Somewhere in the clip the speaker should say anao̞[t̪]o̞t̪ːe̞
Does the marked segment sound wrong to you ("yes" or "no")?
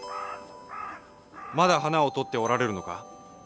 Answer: no